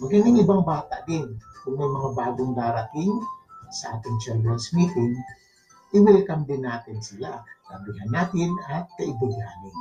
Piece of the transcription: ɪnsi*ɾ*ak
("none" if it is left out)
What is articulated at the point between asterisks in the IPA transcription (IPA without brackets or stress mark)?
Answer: l